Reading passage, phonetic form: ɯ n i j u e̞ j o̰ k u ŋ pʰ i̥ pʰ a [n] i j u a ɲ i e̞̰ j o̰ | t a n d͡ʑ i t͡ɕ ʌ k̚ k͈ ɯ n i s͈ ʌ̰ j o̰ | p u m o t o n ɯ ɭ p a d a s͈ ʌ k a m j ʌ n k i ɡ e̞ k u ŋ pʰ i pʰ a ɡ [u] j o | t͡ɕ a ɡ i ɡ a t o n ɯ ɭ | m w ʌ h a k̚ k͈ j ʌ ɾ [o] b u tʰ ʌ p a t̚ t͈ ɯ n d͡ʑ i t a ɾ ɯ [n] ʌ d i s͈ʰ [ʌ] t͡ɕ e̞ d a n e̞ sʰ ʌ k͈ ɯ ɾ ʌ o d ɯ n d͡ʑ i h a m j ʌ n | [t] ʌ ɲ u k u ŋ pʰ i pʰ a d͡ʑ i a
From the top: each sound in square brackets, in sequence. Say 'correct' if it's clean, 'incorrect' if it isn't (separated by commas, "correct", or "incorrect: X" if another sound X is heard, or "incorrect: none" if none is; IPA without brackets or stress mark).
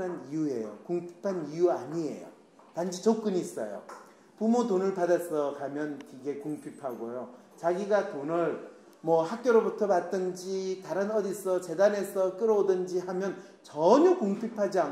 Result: correct, incorrect: o, correct, correct, correct, incorrect: t͡ɕ